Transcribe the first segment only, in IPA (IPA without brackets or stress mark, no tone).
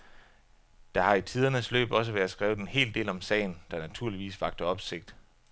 d̥